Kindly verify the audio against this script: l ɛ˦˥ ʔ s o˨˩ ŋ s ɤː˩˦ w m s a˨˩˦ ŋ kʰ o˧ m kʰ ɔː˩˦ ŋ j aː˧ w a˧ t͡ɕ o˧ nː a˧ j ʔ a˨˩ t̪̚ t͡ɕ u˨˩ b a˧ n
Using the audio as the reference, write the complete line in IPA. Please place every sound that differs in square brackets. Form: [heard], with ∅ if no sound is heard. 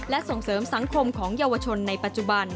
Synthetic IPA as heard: l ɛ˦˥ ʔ s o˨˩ ŋ s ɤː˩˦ [∅] m s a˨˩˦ ŋ kʰ o˧ m kʰ ɔː˩˦ ŋ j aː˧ w a˧ [t͡ɕʰ] o˧ nː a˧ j [p] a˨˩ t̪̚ t͡ɕ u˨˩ b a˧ n